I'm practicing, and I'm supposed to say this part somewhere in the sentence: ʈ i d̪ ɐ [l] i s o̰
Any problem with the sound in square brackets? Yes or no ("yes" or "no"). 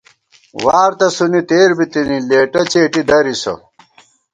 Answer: yes